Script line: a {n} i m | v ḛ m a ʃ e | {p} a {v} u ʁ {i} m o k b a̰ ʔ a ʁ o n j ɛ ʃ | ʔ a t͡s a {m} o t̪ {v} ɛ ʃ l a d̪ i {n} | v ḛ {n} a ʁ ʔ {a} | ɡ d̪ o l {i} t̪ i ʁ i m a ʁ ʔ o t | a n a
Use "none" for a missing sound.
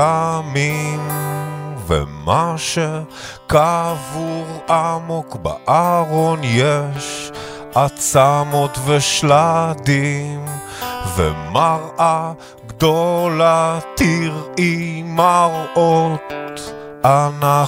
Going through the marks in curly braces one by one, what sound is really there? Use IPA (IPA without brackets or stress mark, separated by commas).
m, k, v, a, m, v, m, m, a, a